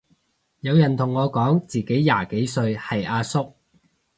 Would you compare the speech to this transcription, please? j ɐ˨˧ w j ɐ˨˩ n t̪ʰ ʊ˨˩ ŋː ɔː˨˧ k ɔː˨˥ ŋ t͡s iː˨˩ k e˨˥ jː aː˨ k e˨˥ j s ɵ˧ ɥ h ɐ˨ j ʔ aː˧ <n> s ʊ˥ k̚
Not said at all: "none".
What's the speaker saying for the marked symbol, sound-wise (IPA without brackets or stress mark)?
none